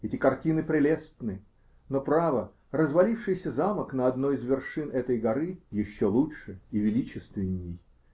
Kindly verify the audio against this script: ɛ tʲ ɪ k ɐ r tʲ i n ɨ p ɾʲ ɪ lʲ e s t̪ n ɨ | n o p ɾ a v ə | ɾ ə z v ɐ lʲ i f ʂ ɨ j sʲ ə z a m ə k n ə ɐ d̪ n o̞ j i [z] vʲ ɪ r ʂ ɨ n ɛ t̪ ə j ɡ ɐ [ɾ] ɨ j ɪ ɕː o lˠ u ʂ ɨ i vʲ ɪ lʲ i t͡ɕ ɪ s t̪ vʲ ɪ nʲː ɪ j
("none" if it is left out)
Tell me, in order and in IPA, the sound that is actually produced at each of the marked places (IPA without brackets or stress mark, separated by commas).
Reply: z, ɾ